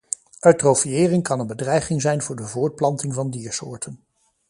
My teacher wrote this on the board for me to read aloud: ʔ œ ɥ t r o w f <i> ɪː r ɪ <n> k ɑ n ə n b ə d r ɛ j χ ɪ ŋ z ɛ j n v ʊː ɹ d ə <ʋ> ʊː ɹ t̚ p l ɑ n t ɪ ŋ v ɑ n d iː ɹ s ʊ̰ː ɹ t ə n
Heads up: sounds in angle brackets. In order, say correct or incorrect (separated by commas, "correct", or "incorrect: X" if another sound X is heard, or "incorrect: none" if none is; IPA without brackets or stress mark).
correct, incorrect: ŋ, incorrect: v